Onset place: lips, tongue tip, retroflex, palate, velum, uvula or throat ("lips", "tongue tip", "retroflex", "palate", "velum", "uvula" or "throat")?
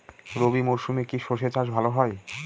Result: tongue tip